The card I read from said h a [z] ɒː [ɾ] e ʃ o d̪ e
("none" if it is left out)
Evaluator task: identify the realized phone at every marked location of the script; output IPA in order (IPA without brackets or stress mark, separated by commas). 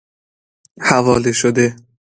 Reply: v, l